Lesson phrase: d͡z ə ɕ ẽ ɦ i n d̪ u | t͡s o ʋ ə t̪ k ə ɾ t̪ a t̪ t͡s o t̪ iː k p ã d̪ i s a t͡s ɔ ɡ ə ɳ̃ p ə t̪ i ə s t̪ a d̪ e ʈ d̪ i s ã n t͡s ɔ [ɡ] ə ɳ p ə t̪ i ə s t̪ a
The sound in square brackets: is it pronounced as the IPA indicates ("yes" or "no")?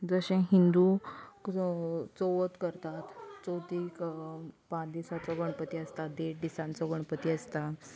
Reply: yes